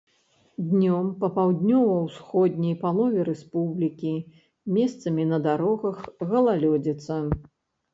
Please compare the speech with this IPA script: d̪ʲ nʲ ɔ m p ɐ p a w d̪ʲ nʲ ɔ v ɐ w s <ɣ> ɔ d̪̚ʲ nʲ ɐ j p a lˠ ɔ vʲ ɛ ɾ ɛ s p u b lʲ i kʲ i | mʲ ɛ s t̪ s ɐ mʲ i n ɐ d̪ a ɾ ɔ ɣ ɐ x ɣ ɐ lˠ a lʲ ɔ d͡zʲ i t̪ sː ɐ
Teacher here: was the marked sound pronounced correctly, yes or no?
no